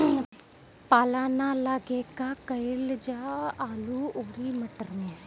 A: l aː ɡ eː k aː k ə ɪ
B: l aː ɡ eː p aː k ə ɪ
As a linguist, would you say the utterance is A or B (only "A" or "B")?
A